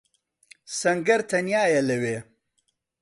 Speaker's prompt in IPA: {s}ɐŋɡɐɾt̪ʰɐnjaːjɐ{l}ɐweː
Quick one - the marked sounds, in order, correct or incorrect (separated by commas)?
correct, correct